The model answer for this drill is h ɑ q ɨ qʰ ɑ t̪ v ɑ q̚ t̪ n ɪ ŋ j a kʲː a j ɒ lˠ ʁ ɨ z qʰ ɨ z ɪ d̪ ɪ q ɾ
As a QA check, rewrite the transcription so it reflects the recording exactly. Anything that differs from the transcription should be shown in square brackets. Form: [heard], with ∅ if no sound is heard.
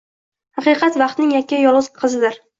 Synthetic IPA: h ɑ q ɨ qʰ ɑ t̪ v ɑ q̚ t̪ n ɪ ŋ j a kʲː a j ɒ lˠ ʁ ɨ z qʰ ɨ z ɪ d̪ ɪ [∅] ɾ